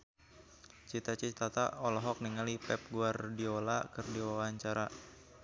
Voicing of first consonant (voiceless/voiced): voiceless